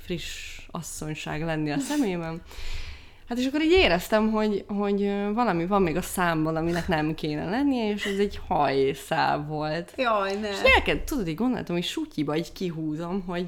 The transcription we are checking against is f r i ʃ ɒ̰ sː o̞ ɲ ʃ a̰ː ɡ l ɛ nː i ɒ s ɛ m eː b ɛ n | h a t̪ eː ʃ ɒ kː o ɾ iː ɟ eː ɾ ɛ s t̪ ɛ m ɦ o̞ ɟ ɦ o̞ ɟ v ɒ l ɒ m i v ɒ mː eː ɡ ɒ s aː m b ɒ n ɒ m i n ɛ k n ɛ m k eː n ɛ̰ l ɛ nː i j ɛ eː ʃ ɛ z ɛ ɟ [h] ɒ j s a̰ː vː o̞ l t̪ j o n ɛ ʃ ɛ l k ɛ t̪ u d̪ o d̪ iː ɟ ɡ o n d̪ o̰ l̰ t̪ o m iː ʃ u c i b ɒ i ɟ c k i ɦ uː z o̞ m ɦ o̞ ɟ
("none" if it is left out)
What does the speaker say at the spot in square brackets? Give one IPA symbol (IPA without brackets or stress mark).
h